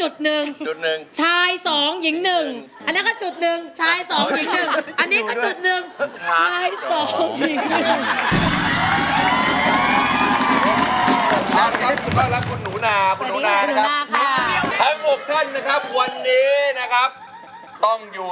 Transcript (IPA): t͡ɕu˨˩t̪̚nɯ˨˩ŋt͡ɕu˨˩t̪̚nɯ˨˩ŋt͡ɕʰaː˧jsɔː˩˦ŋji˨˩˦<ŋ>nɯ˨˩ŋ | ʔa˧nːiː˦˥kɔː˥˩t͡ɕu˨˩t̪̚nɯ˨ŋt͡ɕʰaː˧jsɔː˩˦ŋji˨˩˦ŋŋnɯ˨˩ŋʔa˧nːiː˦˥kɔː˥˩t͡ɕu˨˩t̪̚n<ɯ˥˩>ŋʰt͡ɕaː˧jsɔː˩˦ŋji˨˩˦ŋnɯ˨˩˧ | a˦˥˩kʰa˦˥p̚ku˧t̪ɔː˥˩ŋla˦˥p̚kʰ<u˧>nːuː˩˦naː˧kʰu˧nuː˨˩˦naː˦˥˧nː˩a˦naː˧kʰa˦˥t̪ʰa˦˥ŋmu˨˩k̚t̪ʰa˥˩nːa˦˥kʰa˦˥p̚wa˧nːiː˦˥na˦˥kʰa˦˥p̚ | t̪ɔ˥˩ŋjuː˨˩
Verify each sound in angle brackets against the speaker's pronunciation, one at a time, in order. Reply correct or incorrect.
correct, incorrect: ɯ˨˩, correct

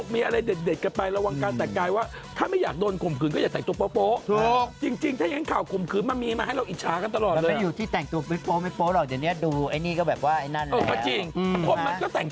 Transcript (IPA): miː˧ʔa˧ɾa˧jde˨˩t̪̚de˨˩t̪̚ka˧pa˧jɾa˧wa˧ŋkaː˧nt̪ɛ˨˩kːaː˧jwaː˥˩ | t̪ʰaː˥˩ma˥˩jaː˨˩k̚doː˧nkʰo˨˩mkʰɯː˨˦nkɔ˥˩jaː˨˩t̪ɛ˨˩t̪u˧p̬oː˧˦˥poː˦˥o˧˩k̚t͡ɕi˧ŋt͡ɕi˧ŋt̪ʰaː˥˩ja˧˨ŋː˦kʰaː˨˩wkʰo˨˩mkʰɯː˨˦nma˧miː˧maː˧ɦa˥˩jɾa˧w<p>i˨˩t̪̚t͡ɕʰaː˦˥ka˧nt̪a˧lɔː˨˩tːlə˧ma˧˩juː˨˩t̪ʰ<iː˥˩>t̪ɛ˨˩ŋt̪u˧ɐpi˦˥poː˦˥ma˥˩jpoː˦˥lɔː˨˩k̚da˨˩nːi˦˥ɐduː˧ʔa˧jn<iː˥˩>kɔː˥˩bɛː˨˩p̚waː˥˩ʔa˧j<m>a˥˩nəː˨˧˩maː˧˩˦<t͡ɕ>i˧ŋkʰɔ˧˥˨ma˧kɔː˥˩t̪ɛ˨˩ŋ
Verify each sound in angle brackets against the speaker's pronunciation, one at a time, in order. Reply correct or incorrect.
incorrect: ʔ, correct, correct, incorrect: n, correct

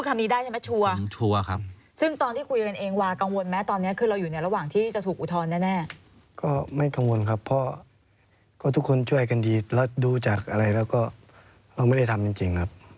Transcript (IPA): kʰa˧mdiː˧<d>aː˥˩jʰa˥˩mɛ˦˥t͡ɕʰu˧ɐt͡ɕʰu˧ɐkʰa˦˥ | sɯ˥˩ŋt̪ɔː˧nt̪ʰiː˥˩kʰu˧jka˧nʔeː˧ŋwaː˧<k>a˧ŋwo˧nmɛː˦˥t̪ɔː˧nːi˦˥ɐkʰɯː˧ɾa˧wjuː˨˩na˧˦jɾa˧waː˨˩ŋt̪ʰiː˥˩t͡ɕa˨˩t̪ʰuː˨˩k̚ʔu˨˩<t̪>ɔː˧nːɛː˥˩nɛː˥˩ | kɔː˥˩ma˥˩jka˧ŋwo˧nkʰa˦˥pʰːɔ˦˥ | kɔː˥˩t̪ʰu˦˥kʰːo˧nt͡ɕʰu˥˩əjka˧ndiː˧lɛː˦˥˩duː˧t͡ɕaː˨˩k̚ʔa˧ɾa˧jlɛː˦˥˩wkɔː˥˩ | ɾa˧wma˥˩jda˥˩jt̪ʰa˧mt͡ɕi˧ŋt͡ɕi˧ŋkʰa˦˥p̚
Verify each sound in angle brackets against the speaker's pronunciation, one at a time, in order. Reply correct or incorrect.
correct, correct, incorrect: t̪ʰ

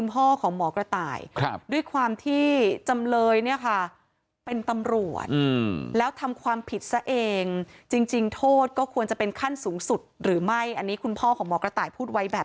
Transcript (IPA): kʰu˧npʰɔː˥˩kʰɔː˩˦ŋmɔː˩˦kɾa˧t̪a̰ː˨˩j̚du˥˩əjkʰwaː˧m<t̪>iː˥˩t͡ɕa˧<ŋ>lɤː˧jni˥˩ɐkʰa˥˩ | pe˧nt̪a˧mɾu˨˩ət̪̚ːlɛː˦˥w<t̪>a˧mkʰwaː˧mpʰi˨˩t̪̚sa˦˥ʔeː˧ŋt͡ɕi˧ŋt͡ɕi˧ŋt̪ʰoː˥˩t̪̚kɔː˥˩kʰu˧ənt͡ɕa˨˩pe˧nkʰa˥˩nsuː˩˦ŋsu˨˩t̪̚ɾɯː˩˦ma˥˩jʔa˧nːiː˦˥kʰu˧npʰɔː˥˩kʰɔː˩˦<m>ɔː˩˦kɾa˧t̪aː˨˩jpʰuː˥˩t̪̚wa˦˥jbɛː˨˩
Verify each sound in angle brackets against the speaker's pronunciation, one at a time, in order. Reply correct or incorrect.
incorrect: t̪ʰ, incorrect: m, incorrect: t̪ʰ, correct

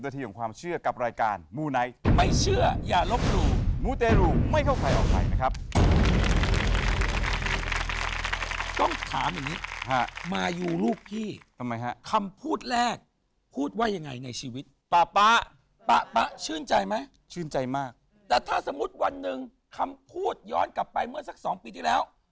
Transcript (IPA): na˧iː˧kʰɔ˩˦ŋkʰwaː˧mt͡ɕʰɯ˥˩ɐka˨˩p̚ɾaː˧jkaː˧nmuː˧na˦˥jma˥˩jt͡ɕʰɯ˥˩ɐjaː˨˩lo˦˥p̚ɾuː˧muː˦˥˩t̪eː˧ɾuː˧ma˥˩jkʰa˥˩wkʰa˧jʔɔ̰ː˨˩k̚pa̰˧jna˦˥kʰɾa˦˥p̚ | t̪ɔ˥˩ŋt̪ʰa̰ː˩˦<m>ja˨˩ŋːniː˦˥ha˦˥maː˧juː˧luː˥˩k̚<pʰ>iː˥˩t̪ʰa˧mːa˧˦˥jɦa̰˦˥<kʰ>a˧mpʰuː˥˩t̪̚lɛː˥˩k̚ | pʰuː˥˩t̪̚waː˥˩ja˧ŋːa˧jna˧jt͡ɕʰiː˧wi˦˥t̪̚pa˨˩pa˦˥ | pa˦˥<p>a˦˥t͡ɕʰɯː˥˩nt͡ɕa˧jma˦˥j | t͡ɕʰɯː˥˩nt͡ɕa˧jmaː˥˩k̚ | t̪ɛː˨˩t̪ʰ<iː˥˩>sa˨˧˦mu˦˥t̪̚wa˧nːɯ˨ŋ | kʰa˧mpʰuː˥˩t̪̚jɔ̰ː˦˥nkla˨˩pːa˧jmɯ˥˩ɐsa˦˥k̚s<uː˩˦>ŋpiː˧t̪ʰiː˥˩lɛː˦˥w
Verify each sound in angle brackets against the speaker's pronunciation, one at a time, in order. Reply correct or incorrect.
correct, correct, correct, correct, incorrect: aː˥˩, incorrect: ɔː˩˦

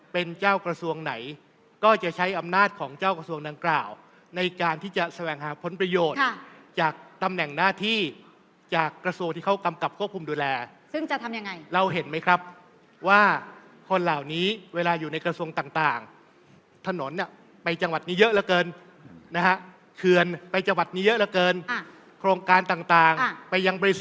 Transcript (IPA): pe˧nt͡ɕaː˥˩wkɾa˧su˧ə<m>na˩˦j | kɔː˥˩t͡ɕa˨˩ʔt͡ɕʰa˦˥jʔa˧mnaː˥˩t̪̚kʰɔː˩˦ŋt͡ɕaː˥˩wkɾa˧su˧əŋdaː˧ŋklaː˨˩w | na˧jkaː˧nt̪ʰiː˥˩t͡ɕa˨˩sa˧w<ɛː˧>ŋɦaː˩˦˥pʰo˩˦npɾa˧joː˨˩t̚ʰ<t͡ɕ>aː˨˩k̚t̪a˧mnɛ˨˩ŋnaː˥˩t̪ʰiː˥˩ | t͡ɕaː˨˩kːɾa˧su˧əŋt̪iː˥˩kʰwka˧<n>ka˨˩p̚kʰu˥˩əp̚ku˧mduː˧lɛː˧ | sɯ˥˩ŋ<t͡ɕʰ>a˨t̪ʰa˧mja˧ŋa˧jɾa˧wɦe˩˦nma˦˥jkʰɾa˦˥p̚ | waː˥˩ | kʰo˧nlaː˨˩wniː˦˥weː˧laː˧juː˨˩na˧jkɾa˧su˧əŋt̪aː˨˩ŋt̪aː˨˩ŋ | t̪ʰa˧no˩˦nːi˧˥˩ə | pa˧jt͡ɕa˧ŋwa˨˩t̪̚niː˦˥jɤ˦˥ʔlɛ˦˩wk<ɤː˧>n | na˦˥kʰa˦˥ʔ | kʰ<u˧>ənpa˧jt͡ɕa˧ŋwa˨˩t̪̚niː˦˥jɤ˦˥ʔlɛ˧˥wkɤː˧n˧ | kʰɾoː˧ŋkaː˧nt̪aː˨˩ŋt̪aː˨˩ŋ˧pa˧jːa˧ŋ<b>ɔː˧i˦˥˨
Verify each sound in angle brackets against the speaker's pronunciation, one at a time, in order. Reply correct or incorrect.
incorrect: ŋ, incorrect: ɛː˨˩, correct, incorrect: m, incorrect: t͡ɕ, correct, incorrect: ɯ˧, correct

